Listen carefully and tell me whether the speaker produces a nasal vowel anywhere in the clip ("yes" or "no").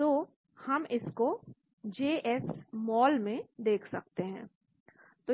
yes